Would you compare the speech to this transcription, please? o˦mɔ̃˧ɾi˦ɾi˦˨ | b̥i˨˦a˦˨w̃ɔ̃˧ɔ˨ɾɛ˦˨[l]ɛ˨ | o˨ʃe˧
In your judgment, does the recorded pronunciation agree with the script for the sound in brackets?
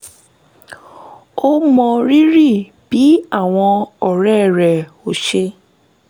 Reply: no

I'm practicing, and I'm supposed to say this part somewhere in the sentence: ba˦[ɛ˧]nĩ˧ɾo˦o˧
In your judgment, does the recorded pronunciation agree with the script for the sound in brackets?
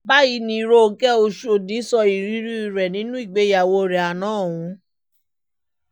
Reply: no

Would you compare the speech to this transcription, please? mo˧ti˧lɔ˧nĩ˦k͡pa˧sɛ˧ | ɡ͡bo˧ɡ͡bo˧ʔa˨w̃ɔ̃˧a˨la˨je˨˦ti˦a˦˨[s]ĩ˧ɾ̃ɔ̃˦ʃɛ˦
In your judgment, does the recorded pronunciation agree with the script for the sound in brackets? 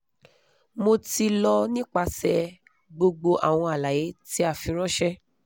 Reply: no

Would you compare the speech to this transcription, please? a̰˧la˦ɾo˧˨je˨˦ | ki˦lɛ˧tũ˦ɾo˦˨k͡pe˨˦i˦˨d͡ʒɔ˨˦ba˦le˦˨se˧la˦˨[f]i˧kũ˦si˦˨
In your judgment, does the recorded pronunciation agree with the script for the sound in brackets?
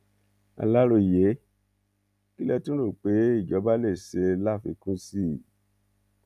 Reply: yes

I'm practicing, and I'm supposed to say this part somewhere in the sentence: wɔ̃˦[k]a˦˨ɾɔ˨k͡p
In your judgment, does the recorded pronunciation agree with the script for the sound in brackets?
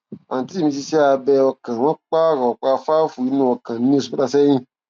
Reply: no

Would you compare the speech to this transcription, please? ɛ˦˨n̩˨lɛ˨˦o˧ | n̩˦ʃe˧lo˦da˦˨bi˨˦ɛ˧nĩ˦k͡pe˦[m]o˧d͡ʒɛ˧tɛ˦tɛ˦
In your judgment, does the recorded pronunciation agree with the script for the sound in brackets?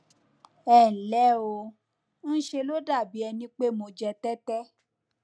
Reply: yes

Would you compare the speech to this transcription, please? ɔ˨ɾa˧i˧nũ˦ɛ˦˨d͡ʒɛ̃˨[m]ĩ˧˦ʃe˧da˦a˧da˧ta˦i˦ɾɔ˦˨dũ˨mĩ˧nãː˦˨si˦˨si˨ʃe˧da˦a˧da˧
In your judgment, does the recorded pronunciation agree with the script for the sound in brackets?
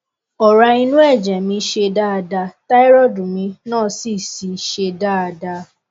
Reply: yes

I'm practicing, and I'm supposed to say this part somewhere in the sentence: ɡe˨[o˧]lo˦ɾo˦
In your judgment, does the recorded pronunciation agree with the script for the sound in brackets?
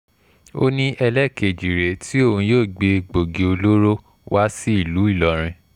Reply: yes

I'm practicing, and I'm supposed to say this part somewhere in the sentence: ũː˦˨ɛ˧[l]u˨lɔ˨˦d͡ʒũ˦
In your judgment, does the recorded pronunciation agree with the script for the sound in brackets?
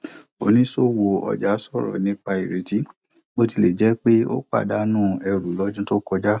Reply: no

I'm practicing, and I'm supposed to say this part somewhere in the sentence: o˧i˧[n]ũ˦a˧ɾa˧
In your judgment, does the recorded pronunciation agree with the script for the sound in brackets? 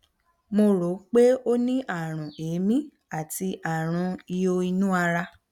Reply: yes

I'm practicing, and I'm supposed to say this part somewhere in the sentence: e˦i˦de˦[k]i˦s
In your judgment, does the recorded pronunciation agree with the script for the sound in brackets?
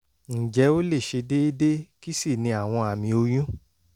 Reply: yes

